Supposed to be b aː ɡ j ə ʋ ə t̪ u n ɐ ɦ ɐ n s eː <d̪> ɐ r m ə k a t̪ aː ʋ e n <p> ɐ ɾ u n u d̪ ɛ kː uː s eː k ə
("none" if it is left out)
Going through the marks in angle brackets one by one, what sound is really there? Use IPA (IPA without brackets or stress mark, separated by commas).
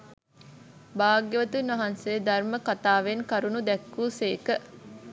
d̪, k